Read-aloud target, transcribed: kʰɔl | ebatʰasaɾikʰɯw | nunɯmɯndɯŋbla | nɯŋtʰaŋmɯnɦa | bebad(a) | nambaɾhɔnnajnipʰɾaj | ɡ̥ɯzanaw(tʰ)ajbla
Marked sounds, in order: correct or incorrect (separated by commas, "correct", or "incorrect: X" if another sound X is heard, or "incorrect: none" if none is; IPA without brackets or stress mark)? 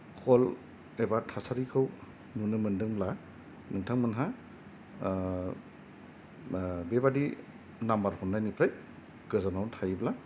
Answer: incorrect: i, correct